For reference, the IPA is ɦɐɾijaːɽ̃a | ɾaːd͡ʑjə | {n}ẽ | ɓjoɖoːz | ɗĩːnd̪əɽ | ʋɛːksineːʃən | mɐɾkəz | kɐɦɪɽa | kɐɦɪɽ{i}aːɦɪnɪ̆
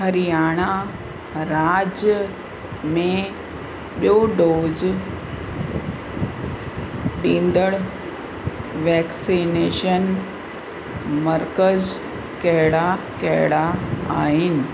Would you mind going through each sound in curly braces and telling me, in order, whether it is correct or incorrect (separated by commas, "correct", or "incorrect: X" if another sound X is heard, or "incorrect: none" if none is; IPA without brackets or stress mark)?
incorrect: m, incorrect: a